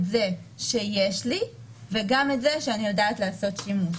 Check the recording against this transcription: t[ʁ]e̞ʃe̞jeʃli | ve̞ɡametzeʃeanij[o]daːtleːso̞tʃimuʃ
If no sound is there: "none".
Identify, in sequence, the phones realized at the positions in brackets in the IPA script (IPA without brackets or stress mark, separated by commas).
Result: z, o